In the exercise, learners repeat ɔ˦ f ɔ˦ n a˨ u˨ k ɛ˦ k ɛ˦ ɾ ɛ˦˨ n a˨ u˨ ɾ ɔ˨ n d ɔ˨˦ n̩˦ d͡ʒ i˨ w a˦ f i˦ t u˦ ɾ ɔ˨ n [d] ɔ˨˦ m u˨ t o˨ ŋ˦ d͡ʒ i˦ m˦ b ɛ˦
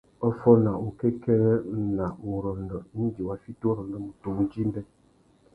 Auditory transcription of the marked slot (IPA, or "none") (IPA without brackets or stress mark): d